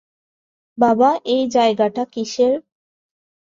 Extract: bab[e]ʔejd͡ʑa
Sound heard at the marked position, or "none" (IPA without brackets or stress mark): a